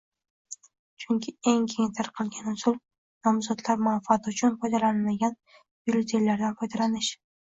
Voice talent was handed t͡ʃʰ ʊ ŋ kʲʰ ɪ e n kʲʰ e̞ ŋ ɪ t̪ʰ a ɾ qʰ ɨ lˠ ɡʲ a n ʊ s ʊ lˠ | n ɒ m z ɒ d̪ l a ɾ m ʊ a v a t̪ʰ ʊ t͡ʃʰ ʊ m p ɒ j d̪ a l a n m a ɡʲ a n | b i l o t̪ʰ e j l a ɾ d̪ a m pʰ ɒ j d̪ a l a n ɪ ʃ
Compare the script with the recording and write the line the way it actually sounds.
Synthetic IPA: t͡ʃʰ ʊ ŋ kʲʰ ɪ e ŋ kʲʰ e̞ ŋ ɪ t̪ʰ a ɾ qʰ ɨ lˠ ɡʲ a n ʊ s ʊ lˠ | n ɒ m z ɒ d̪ l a ɾ m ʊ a f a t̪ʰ ʊ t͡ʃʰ ʊ n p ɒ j d̪ a l a n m a ɡʲ a n | b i l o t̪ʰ e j l a ɾ d̪ a n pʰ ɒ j d̪ a l a n ɪ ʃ